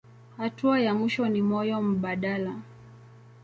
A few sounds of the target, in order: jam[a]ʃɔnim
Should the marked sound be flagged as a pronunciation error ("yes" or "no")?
yes